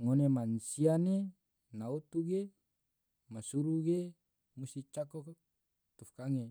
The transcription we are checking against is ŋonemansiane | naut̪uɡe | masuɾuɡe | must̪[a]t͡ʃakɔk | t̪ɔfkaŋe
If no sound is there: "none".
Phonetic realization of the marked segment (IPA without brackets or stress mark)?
i